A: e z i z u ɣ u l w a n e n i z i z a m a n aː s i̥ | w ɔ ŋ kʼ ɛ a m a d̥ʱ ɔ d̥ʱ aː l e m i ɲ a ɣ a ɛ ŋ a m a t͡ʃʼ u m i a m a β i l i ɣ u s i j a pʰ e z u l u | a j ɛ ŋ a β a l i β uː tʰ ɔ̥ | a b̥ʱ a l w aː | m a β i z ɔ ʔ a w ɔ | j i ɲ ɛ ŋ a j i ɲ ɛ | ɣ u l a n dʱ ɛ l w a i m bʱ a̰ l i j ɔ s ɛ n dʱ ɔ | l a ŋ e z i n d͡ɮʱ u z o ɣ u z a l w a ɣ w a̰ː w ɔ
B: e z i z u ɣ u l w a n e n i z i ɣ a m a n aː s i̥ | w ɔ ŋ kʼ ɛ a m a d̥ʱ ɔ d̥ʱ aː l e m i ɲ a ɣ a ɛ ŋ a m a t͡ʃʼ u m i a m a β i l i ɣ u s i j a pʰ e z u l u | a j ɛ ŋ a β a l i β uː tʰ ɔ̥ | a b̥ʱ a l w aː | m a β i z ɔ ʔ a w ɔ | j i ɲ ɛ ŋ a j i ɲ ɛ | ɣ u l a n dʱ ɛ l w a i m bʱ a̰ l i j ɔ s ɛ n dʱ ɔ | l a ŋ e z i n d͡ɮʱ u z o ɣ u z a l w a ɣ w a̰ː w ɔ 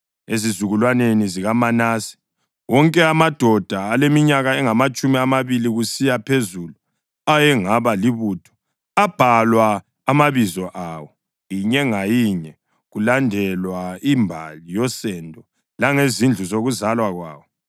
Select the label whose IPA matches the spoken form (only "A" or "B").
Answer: B